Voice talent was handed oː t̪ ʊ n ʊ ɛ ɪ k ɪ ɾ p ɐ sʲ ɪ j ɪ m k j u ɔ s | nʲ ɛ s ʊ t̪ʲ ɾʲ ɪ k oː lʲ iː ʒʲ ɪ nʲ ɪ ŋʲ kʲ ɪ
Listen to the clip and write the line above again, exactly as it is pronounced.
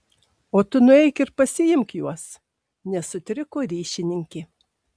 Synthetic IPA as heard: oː t̪ ʊ n ʊ ɛ ɪ k ɪ ɾ p ɐ sʲ ɪ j ɪ m k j u ɔ s | nʲ ɛ s ʊ t̪ʲ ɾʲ ɪ k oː ɾʲ iː ʃʲ ɪ nʲ ɪ ŋʲ kʲ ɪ